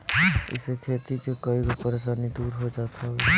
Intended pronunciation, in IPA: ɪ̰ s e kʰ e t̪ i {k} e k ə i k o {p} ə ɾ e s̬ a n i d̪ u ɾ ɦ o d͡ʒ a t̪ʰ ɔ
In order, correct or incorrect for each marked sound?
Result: correct, correct

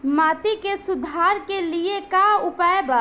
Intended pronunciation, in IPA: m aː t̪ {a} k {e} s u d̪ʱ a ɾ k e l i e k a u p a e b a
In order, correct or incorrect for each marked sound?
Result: incorrect, correct

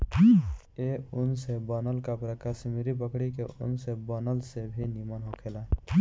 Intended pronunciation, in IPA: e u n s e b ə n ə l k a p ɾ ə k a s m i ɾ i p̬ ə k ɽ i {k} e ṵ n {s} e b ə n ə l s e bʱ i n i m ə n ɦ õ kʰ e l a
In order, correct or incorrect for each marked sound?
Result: correct, correct

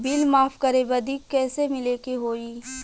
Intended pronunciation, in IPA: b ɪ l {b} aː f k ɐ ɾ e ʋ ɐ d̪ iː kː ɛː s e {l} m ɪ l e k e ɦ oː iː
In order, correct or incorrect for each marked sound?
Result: incorrect, incorrect

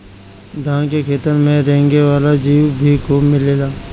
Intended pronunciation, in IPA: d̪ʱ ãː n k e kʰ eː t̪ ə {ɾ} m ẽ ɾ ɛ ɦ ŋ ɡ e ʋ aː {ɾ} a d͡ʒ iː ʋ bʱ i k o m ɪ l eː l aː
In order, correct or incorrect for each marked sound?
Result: correct, incorrect

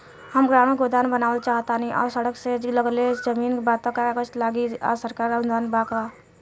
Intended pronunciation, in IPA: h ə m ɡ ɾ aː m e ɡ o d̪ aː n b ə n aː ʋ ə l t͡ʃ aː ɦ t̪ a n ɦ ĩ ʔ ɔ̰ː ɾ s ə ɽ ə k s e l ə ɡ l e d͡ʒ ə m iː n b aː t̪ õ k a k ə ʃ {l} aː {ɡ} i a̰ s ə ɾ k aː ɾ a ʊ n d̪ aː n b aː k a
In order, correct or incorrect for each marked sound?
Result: correct, correct

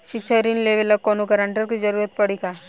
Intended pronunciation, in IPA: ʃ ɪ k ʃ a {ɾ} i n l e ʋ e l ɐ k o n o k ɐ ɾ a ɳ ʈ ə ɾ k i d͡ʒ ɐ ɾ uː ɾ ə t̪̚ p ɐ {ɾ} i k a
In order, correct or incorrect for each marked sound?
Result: correct, incorrect

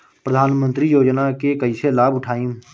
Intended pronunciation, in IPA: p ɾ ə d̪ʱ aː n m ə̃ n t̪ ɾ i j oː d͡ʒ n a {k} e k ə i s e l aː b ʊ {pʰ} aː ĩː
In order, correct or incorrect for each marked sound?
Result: correct, incorrect

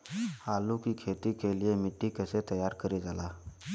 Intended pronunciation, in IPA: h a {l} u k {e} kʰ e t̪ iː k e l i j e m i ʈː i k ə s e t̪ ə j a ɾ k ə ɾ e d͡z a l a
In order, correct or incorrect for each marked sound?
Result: correct, incorrect

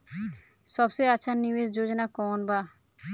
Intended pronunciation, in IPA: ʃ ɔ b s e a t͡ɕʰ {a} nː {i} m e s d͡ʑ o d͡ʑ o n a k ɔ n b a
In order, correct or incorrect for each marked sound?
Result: correct, correct

